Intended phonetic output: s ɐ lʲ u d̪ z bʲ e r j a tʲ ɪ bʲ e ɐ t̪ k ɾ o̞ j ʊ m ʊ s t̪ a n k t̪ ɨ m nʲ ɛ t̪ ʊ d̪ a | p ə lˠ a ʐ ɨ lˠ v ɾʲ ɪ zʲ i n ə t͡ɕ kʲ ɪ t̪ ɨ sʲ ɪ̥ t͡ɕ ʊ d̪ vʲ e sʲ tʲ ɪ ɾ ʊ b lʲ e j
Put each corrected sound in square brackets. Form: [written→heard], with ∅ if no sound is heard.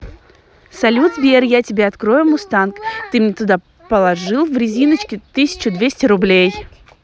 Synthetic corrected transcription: s ɐ lʲ u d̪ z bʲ e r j a tʲ ɪ bʲ e ɐ t̪ k ɾ o̞ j ʊ m ʊ s t̪ a n k t̪ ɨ m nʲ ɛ t̪ ʊ d̪ a | p ə lˠ [a→ɐ] ʐ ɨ lˠ v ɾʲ ɪ zʲ i n ə t͡ɕ kʲ ɪ t̪ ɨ sʲ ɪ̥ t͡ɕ ʊ d̪ vʲ e sʲ tʲ ɪ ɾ ʊ b lʲ e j